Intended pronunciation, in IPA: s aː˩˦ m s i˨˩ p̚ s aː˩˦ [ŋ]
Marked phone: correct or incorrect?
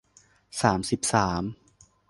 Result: incorrect